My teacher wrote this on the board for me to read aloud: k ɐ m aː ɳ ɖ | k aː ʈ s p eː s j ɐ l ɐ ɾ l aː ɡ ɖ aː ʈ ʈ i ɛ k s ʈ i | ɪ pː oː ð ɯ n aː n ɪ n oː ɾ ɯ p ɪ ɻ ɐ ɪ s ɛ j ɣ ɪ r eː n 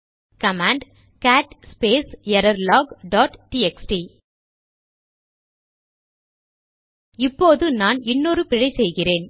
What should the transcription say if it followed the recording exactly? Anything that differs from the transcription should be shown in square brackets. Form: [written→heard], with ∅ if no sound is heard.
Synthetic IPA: k ɐ m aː ɳ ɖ | k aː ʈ s p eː s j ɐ [l→ɾ] ɐ ɾ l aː ɡ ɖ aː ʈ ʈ i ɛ k s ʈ i | ɪ pː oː ð ɯ n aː n ɪ [n→nː] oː ɾ ɯ p ɪ ɻ ɐ ɪ s ɛ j ɣ ɪ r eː n